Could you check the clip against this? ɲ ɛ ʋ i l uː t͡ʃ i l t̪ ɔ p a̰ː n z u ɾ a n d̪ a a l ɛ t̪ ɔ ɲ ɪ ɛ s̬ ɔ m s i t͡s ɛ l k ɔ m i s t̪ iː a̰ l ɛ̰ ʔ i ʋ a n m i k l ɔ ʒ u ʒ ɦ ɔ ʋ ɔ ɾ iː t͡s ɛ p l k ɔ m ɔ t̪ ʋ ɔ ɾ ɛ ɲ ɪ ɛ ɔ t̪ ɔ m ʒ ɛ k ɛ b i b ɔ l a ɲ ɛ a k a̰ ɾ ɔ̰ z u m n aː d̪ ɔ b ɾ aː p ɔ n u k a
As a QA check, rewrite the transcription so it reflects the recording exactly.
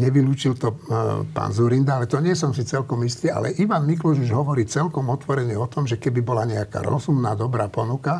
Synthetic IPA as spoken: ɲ ɛ ʋ i l uː t͡ʃ i l t̪ ɔ p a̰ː n z u ɾ i n d̪ a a l ɛ t̪ ɔ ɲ ɪ ɛ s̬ ɔ m s i t͡s ɛ l k ɔ m i s t̪ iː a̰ l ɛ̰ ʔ i ʋ a n m i k l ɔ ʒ u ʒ ɦ ɔ ʋ ɔ ɾ iː t͡s ɛ l k ɔ m ɔ t̪ ʋ ɔ ɾ ɛ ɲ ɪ ɛ ɔ t̪ ɔ m ʒ ɛ k ɛ b i b ɔ l a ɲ ɛ a k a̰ ɾ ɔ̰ z u m n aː d̪ ɔ b ɾ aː p ɔ n u k a